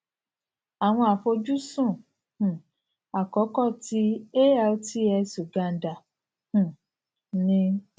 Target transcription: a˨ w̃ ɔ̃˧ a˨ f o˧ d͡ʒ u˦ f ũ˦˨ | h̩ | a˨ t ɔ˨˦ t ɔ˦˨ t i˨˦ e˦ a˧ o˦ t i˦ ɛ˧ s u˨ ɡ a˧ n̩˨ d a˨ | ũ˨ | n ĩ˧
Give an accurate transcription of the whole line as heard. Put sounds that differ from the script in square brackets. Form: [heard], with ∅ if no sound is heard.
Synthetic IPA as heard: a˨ w̃ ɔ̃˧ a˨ f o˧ d͡ʒ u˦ [s] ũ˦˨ | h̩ | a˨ [k] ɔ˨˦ [k] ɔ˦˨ t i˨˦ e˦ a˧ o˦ t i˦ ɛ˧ s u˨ ɡ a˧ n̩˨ d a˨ | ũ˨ | n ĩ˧